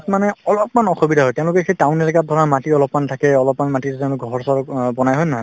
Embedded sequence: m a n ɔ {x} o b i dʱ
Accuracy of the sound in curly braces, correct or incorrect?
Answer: correct